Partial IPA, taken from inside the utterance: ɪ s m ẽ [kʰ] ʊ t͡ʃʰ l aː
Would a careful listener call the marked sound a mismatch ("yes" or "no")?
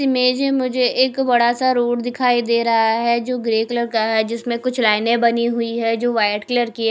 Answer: yes